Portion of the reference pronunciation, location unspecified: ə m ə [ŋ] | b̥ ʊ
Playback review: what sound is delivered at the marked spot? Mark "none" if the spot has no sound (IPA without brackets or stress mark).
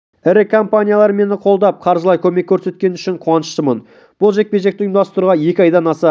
n